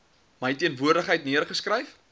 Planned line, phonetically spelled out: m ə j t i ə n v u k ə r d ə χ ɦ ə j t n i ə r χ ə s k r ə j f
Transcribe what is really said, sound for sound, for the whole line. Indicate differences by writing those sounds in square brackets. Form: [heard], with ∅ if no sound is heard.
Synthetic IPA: m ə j t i ə n v u [∅] ə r d ə χ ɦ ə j t n i ə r χ ə s k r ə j f